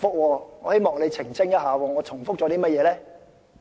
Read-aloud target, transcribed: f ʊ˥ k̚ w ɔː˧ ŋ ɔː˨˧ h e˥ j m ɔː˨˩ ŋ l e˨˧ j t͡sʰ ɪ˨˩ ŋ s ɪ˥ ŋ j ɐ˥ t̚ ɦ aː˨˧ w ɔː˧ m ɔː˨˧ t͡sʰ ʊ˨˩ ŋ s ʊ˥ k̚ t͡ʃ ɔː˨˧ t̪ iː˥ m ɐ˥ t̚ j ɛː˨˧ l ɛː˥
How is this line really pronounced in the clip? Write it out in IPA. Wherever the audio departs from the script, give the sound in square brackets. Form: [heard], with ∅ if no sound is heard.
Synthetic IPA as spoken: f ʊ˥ k̚ w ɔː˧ ŋ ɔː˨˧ h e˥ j m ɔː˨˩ ŋ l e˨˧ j t͡sʰ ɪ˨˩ ŋ s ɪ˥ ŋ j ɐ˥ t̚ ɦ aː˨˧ w ɔː˧ [ŋ] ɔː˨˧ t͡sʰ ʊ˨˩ ŋ [f] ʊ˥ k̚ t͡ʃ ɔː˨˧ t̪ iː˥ m ɐ˥ t̚ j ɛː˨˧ l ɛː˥